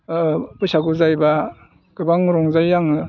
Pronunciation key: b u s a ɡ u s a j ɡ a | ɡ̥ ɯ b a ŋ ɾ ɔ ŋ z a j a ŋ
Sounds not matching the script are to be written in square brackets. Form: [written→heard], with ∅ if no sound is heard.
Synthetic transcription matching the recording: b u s a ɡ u [s→z] a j [ɡ→b] a | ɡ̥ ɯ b a ŋ ɾ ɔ ŋ z a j a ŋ